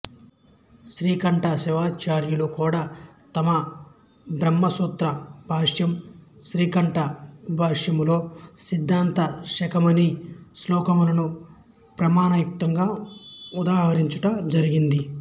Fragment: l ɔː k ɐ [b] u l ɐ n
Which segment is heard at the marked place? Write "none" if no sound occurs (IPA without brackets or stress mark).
m